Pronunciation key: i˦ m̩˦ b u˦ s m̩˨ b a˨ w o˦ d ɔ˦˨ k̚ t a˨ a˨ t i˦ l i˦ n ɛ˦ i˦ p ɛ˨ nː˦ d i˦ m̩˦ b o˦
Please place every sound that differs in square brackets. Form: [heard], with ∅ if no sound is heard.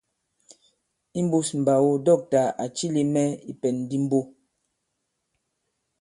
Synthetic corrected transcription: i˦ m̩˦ b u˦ s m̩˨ b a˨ w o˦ d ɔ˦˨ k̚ t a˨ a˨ [t͡ʃ] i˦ l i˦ [m] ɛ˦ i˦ p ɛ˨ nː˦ d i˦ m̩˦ b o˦